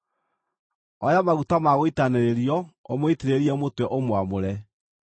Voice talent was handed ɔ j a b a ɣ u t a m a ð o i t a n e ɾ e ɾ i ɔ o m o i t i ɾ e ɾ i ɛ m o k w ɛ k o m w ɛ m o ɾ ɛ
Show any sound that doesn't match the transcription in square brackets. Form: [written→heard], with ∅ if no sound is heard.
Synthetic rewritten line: ɔ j a [b→m] a ɣ u t a m a [ð→ɣ] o i t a n e ɾ e ɾ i ɔ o m o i t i ɾ e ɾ i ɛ m o [k→t] w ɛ [k→ʔ] o m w [ɛ→a] m o ɾ ɛ